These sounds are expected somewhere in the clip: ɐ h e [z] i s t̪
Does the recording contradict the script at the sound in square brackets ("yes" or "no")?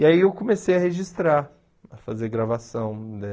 yes